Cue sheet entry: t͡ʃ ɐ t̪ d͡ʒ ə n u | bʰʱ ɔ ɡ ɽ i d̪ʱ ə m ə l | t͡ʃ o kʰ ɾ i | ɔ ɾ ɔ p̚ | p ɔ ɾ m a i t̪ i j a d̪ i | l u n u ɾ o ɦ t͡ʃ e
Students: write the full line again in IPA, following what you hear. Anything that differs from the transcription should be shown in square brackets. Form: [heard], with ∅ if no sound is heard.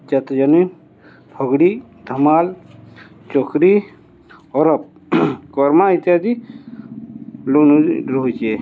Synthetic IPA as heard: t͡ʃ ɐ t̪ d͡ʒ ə n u | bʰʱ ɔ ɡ ɽ i d̪ʱ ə m [a] l | t͡ʃ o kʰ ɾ i | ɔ ɾ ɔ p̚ | [k] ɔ ɾ m a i t̪ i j a d̪ i | l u n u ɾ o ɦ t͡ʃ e